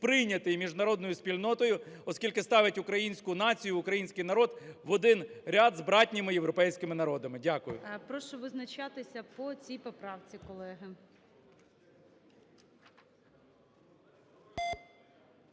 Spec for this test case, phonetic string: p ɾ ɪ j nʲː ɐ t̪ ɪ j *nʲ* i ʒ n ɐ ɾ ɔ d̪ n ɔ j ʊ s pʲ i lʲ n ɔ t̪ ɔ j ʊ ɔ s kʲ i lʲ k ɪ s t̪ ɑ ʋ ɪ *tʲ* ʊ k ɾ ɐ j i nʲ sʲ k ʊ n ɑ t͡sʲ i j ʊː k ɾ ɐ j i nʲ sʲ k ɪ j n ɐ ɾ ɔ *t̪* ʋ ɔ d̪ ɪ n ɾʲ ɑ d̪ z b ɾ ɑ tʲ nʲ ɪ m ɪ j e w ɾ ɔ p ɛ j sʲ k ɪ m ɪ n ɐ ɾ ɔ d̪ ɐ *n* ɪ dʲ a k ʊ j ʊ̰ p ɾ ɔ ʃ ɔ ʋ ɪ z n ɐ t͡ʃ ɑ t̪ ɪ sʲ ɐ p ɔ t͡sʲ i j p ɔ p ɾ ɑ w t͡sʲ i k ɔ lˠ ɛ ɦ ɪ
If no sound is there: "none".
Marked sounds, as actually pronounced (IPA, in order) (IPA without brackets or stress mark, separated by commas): mʲ, tʲ, d̪, m